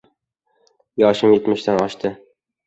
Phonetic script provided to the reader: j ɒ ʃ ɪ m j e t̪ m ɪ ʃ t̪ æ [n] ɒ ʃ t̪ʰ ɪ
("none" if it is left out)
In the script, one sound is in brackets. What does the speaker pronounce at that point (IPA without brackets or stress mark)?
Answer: n